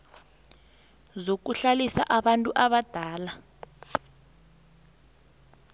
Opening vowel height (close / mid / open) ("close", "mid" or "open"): mid